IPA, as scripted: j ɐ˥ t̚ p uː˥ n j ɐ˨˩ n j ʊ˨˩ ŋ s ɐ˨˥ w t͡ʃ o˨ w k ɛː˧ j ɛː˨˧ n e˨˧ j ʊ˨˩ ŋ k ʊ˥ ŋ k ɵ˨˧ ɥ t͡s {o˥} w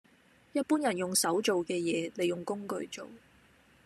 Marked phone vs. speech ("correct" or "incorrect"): incorrect